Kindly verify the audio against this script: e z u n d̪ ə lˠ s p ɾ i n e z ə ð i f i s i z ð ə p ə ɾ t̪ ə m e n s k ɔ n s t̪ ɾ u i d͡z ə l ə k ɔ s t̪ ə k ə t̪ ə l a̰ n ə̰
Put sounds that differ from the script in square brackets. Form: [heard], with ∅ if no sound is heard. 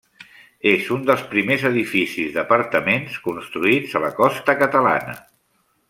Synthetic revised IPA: e z u n d̪ ə lˠ s p ɾ i [m] e z ə ð i f i s i z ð ə p ə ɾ t̪ ə m e n s k [u] n s t̪ ɾ u i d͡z ə l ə k ɔ s t̪ ə k ə t̪ ə l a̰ n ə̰